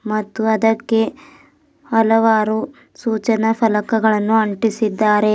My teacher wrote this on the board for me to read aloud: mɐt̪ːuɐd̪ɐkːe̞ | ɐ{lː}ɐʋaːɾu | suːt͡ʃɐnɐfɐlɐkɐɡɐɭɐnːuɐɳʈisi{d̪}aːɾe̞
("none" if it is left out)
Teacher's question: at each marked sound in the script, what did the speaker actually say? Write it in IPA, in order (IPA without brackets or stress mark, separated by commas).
l, d̪ː